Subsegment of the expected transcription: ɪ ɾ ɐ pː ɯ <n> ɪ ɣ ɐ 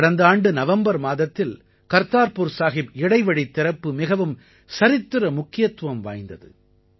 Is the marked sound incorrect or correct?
incorrect